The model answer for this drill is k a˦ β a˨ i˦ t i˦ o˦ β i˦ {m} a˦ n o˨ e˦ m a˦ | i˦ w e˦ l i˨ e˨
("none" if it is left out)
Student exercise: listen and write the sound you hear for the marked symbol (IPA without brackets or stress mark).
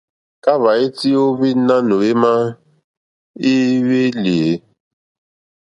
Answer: n